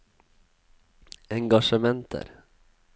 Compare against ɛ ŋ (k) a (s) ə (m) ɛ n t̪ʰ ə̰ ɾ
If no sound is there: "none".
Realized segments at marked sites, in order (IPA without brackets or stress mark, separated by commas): ɡ, ʂ, m